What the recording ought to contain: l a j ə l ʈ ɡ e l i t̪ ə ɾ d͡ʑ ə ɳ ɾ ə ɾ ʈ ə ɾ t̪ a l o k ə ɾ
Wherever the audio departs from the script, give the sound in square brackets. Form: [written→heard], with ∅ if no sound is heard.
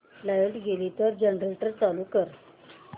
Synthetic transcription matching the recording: l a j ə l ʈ ɡ e l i t̪ ə ɾ d͡ʑ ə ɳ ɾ ə [ɾ→l] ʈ ə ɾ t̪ a l [o→u] k ə ɾ